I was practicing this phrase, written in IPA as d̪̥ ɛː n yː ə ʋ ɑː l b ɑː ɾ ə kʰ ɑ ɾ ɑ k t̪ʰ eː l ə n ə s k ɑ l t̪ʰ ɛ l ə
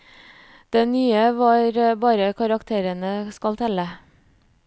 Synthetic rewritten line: d̪̥ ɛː n yː ə ʋ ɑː ɾ b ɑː ɾ ə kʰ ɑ ɾ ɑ k t̪ʰ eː ɾ ə n ə s k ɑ l t̪ʰ ɛ l ə